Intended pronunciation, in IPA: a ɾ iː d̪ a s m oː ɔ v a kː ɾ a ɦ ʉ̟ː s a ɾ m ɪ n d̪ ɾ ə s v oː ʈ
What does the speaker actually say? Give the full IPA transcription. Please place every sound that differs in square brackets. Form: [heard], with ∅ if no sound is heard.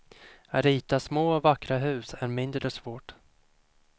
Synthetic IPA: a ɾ iː [t̪] a s m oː ɔ v a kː ɾ a ɦ ʉ̟ː s [æ] ɾ m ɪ n d̪ ɾ ə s v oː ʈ